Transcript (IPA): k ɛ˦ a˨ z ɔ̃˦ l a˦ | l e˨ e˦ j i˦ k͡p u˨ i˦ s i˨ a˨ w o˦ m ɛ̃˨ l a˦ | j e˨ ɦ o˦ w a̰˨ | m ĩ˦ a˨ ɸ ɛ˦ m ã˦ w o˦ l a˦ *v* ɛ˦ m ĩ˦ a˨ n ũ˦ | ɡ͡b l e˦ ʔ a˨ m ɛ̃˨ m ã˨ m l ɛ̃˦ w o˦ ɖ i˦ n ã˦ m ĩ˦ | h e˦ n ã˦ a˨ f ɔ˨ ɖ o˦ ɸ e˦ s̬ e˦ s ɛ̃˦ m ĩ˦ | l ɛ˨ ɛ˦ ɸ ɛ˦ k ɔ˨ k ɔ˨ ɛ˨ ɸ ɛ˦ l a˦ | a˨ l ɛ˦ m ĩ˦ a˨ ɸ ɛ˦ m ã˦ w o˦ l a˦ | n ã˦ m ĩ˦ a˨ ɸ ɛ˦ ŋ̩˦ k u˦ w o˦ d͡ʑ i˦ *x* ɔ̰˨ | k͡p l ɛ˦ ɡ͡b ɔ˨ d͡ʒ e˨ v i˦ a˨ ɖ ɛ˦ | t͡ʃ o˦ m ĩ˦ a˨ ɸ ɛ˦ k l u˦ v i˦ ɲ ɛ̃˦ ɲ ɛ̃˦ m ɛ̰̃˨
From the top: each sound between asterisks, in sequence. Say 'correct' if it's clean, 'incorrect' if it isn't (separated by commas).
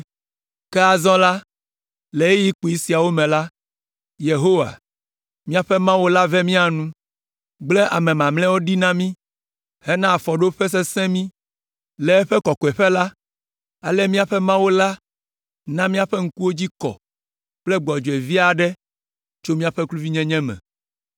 correct, incorrect